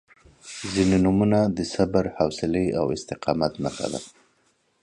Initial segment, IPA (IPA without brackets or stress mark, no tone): z